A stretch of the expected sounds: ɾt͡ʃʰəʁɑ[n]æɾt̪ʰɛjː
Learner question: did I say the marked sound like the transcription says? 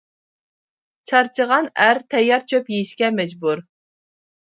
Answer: yes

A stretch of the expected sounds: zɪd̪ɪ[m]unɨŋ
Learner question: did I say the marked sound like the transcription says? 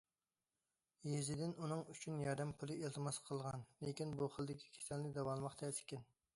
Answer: no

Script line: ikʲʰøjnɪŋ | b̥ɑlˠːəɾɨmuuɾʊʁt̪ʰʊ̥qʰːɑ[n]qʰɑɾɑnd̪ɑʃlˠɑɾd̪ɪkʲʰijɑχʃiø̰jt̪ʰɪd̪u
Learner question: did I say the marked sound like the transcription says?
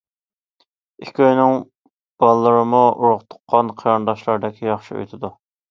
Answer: yes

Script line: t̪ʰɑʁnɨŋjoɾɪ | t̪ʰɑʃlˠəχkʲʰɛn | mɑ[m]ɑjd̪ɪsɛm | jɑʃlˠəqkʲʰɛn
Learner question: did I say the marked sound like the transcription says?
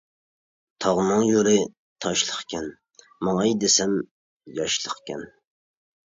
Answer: no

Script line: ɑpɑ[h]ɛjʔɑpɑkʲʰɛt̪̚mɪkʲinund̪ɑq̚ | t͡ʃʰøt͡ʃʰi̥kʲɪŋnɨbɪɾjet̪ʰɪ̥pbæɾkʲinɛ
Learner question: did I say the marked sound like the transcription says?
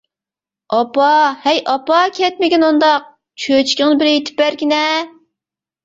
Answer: yes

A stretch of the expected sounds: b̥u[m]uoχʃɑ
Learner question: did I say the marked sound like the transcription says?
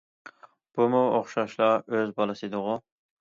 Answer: yes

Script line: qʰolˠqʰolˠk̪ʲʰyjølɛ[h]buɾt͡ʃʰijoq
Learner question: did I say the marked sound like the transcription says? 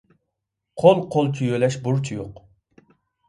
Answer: no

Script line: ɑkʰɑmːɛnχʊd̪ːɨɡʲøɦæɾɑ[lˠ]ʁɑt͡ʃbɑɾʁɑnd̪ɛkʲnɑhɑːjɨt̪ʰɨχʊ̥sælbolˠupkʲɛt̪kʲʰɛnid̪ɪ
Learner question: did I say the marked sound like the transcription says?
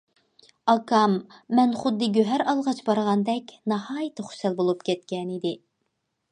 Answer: yes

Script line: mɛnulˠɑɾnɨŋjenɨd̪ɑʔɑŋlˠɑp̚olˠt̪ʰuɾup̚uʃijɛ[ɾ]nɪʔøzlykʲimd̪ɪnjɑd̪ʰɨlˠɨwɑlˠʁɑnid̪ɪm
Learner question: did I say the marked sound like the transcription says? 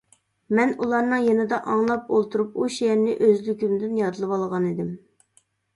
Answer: yes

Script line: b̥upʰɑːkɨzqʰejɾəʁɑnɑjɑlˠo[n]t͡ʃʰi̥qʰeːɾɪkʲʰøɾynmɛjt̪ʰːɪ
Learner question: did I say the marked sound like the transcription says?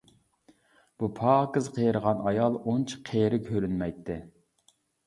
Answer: yes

